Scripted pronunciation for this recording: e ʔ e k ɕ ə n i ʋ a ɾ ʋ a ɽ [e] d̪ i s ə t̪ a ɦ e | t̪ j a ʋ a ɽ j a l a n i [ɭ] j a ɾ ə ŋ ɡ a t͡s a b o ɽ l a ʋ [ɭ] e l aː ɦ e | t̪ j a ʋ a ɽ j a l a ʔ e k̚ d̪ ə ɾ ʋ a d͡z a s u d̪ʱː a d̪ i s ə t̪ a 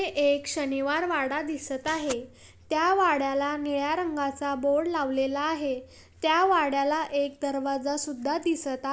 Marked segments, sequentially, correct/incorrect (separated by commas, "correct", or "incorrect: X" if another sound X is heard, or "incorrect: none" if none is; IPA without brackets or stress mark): incorrect: a, correct, incorrect: l